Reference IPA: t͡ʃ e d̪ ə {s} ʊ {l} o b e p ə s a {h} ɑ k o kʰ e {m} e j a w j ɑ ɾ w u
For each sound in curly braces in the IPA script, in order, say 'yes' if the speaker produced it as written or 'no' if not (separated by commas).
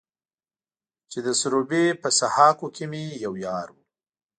yes, no, yes, yes